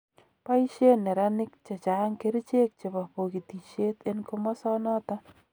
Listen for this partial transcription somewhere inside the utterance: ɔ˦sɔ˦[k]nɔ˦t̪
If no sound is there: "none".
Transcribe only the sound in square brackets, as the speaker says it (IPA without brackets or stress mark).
none